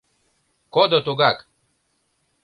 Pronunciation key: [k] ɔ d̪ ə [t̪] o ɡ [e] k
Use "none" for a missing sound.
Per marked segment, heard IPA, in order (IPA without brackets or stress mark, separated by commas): k, t̪, a